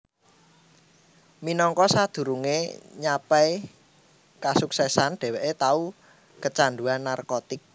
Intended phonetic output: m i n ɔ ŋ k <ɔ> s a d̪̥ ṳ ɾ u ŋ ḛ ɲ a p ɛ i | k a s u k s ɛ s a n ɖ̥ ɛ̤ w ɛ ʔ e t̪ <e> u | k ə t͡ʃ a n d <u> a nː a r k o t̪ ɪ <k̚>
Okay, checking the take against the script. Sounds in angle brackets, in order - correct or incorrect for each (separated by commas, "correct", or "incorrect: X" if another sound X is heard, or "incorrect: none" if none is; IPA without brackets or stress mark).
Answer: correct, incorrect: a, correct, correct